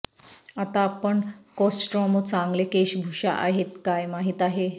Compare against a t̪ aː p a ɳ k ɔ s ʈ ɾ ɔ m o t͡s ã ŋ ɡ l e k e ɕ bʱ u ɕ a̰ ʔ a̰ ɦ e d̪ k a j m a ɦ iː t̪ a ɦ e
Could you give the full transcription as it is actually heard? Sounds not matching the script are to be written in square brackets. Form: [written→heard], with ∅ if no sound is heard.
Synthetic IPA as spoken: a t̪ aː p [a→ə] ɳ k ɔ s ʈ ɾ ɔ m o t͡s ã ŋ ɡ l e k e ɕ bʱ u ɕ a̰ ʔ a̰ ɦ e [d̪→t̪] k a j m a ɦ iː t̪ a ɦ e